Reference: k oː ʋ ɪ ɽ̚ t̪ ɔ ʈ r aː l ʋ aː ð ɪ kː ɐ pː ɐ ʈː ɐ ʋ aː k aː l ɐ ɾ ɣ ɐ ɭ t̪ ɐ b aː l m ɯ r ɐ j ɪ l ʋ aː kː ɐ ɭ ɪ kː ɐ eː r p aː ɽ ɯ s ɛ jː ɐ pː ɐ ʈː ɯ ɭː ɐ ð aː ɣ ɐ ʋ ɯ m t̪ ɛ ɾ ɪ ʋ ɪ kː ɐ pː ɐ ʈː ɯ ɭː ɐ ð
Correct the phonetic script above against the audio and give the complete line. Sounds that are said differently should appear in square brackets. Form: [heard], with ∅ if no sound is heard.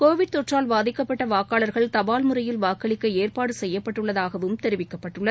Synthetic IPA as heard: k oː ʋ ɪ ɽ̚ t̪ ɔ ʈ r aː l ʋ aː ð ɪ kː ɐ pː ɐ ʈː ɐ ʋ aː k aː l ɐ ɾ ɣ ɐ ɭ t̪ ɐ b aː l m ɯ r ɐ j ɪ l ʋ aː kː ɐ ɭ ɪ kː ɐ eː r p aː ɽ ɯ s ɛ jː ɐ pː ɐ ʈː ɯ ɭː ɐ ð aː ɣ ɐ ʋ ɯ m t̪ ɛ ɾ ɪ ʋ ɪ kː ɐ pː ɐ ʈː ɯ ɭː ɐ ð